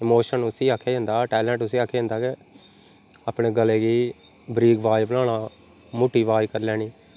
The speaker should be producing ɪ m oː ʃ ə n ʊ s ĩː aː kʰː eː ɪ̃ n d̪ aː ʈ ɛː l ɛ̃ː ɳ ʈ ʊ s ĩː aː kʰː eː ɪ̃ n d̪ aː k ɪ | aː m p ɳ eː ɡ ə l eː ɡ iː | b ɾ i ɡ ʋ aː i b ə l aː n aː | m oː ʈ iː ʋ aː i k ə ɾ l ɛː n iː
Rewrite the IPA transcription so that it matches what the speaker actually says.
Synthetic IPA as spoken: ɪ m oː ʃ ə n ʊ s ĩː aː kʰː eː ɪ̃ n d̪ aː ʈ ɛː l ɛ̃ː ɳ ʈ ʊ s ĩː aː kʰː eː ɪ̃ n d̪ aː k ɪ | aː p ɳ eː ɡ ə l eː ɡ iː | b ɾ iː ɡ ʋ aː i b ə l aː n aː | m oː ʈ iː ʋ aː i k ə ɾ l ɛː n iː